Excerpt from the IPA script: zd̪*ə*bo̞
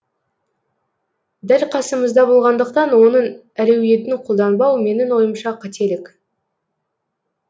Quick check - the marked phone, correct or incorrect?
incorrect